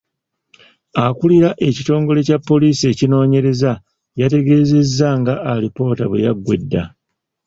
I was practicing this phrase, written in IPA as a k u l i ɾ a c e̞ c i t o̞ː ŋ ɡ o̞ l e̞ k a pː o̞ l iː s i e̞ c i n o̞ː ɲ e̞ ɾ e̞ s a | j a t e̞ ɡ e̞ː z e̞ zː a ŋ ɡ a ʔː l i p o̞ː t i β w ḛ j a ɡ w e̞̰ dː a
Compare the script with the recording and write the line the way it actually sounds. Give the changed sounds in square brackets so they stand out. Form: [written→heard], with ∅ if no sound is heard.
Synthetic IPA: a k u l i ɾ a [c→ʔ] e̞ c i t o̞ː ŋ ɡ o̞ l e̞ [k→c] a pː o̞ l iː s i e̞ c i n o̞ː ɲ e̞ ɾ e̞ [s→z] a | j a t e̞ ɡ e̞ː z e̞ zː a ŋ ɡ a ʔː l i p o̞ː t [i→a] β w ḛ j a ɡ w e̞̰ dː a